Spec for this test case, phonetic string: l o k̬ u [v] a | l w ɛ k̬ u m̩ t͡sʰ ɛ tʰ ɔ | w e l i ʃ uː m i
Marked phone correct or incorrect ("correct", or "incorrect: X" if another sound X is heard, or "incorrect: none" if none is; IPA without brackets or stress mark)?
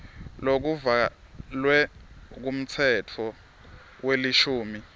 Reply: correct